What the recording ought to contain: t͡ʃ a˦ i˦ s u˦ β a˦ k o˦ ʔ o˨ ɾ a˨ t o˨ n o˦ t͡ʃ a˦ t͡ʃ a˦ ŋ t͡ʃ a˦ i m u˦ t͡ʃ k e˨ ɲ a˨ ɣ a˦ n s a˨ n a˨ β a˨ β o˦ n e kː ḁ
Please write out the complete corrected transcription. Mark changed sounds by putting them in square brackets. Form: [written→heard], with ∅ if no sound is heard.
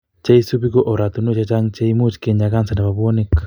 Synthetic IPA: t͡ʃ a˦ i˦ s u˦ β [a˦→i˦] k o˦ ʔ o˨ ɾ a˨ t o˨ n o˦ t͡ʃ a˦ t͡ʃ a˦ ŋ t͡ʃ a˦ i m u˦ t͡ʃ k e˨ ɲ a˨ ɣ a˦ n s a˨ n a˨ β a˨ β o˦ n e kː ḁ

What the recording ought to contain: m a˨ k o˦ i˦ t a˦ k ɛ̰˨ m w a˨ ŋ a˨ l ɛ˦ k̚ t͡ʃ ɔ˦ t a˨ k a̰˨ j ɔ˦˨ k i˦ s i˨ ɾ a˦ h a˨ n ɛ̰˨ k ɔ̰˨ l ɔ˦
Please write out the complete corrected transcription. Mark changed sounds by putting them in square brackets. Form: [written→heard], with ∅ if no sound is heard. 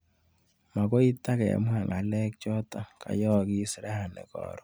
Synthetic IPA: m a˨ k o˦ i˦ t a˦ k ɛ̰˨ m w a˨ ŋ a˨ l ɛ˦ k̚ t͡ʃ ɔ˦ t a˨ k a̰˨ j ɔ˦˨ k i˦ s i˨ ɾ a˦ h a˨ n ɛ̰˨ k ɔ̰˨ [l→ɾ] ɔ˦

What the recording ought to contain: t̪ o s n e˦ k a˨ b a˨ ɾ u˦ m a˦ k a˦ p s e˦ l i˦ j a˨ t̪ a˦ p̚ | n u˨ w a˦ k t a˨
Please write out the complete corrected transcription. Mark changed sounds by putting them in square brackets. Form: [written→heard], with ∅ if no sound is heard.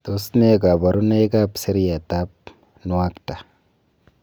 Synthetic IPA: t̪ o s n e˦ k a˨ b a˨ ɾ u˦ [m→n] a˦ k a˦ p s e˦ [l→ɾ] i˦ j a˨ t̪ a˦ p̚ | n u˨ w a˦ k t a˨

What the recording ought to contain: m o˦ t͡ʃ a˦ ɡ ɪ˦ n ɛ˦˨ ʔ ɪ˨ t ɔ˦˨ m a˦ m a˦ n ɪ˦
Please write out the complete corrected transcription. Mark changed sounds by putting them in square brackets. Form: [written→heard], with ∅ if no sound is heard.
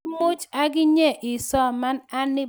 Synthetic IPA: m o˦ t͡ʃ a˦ ɡ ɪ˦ [n→ɲ] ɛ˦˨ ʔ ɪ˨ [t→s] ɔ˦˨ m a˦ [m→n] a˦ n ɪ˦

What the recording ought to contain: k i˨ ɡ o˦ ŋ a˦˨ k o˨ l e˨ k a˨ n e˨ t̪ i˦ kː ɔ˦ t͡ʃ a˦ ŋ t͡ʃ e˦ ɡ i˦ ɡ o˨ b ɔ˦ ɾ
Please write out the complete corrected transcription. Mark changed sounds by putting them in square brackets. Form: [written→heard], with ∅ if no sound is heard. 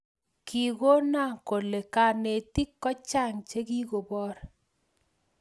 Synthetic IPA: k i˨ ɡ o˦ [ŋ→n] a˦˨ k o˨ l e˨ k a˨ n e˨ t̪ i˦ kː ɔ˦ t͡ʃ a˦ ŋ t͡ʃ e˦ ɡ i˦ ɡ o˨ b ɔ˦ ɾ

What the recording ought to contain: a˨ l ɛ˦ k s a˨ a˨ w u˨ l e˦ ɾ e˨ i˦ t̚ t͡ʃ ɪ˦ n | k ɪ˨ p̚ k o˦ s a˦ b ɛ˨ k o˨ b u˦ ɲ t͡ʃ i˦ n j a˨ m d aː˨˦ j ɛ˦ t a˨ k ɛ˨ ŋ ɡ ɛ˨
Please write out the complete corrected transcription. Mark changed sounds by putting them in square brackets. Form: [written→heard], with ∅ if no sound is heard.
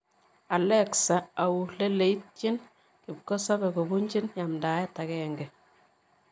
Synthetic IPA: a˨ l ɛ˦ k s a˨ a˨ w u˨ l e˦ [ɾ→l] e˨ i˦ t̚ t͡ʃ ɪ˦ n | k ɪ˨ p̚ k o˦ s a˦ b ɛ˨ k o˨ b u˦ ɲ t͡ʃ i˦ n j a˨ m d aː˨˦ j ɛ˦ t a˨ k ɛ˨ ŋ ɡ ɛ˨

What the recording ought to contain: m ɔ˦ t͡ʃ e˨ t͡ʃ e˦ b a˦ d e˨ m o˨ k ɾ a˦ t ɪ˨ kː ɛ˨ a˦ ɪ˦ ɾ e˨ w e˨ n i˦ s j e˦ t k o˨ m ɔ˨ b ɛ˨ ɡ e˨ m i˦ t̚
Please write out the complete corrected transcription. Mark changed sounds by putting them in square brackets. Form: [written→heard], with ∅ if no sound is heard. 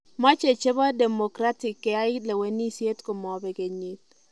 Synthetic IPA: m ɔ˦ t͡ʃ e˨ t͡ʃ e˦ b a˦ d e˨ m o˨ k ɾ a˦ t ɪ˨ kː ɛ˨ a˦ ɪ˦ [ɾ→l] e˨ w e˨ n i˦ s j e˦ t k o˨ m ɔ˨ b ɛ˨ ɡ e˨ [m→ɲ] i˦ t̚

